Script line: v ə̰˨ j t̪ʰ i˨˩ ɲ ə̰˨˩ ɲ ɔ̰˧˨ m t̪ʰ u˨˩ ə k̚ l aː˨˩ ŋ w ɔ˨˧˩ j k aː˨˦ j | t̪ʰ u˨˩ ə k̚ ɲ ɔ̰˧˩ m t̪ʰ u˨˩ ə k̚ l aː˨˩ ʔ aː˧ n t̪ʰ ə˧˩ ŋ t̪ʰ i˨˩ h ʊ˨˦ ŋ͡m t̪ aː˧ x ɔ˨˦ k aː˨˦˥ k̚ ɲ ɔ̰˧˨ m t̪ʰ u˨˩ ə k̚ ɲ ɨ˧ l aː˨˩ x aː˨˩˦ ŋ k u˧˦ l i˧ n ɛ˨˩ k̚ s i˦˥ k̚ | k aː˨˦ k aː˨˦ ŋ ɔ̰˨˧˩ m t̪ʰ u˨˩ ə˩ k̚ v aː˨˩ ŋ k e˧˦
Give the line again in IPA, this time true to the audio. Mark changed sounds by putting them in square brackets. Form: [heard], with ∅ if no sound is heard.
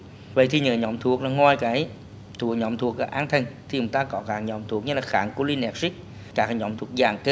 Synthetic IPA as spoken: v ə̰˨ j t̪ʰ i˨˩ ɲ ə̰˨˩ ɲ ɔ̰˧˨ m t̪ʰ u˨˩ ə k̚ l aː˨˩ ŋ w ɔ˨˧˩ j k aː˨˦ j | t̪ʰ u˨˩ ə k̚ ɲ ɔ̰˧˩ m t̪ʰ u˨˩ ə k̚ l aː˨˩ ʔ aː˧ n t̪ʰ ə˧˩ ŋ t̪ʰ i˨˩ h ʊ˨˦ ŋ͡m t̪ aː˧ [k] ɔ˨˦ k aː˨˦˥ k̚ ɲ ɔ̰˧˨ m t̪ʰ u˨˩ ə k̚ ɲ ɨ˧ l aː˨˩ x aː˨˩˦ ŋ k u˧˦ l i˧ n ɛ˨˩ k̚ s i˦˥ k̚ | k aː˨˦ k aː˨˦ [ɲ] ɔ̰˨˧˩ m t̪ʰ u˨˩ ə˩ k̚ [z] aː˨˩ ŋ k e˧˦